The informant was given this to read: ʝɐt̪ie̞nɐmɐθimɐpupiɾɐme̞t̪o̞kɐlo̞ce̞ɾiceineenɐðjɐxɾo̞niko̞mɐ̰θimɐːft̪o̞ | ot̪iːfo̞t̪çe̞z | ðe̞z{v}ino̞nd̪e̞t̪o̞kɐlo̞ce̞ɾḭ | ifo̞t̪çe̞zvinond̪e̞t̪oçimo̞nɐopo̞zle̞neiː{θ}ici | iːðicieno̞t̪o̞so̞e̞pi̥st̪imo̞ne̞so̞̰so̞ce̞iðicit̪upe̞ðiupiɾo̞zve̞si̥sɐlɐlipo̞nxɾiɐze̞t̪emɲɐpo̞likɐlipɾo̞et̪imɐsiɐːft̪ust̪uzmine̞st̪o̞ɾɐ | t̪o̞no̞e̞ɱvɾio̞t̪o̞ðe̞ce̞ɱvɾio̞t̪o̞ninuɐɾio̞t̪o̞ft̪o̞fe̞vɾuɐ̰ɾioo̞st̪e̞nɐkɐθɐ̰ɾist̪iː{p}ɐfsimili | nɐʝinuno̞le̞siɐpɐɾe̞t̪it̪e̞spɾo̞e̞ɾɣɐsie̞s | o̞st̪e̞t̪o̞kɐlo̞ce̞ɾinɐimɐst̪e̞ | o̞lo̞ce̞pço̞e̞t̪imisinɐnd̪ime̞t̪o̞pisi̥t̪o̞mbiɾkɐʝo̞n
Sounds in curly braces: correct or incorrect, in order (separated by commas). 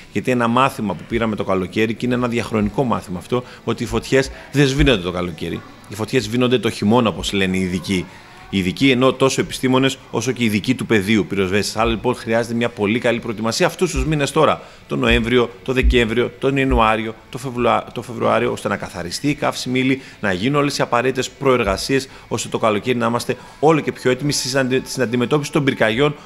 correct, incorrect, incorrect